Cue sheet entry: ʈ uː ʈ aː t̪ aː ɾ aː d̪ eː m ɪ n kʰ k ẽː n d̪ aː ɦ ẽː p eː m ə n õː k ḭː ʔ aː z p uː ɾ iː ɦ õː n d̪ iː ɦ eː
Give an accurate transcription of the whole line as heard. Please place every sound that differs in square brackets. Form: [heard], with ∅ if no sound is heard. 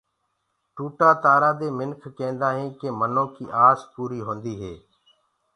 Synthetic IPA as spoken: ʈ uː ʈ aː t̪ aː ɾ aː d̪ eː m ɪ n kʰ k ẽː n d̪ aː ɦ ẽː [k] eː m ə n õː k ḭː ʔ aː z p uː ɾ iː ɦ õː n d̪ iː ɦ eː